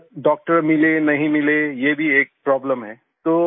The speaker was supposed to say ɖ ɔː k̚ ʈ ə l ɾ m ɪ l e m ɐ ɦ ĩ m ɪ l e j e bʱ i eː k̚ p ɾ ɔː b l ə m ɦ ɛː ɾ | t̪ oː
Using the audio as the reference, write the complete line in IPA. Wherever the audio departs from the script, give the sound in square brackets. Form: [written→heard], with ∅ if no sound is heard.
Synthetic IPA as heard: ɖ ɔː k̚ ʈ ə [l→∅] ɾ m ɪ l e [m→n] ɐ ɦ ĩ m ɪ l e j e bʱ i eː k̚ p ɾ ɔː b l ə m ɦ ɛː [ɾ→∅] | t̪ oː